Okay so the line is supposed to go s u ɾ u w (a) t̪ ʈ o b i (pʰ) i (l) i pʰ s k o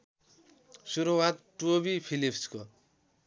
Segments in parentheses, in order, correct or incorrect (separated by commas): correct, correct, correct